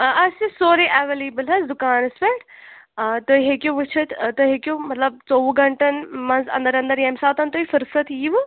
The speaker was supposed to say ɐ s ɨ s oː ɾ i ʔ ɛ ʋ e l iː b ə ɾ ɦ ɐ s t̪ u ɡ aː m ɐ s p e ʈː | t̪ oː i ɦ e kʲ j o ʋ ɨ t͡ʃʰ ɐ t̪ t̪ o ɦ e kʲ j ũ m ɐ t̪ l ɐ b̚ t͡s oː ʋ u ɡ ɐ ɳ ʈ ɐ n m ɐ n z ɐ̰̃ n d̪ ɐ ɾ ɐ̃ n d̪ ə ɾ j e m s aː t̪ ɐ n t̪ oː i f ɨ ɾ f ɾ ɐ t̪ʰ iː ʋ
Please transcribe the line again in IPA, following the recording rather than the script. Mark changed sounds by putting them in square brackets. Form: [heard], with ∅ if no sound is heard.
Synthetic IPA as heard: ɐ s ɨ s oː ɾ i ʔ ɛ ʋ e l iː b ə [l] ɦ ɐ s [d̪] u [k] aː [n] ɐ s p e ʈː | t̪ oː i ɦ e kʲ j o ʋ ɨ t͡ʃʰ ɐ t̪ t̪ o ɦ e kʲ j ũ m ɐ t̪ l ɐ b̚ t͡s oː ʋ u ɡ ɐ ɳ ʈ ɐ n m ɐ n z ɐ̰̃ n d̪ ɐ ɾ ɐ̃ n d̪ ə ɾ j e m s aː t̪ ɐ n t̪ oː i f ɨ ɾ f ɾ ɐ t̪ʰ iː ʋ